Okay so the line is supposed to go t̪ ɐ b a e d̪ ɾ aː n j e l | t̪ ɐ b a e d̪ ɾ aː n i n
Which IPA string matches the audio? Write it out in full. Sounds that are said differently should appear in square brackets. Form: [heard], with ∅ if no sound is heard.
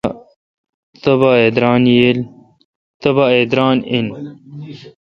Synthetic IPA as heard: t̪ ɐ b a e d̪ ɾ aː n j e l | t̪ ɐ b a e d̪ ɾ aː n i n